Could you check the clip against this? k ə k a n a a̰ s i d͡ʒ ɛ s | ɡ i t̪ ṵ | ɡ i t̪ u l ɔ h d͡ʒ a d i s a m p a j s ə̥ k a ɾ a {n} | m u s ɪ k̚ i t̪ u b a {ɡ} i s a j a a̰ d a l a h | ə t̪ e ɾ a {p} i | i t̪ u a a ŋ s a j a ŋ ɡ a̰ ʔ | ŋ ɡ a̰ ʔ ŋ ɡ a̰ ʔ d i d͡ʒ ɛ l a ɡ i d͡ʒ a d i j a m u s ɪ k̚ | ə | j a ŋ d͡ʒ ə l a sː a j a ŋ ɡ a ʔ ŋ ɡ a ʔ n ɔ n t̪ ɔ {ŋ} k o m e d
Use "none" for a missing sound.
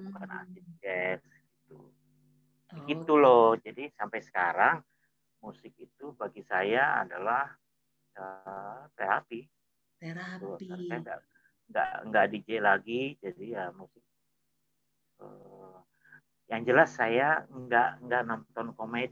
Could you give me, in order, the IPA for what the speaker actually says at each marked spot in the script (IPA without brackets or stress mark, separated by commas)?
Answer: ŋ, ɡ, p, n